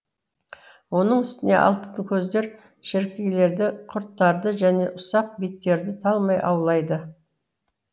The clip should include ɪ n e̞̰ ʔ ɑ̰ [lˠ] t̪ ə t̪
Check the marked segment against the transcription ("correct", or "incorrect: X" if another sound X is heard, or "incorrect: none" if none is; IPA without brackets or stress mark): correct